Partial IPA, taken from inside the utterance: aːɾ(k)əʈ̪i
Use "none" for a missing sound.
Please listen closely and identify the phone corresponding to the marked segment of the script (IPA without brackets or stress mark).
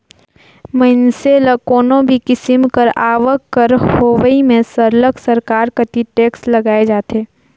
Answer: k